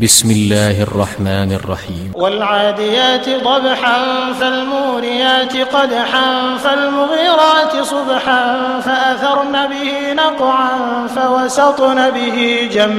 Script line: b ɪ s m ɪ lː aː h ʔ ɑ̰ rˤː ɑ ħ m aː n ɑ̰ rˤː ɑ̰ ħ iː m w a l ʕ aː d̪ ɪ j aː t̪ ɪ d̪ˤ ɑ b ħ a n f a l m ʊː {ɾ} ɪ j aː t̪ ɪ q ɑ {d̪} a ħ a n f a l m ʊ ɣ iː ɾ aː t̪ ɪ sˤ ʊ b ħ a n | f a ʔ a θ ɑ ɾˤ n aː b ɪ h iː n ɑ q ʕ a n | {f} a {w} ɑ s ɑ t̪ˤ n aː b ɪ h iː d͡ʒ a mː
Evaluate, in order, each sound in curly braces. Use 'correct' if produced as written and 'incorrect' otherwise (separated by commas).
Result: correct, correct, correct, correct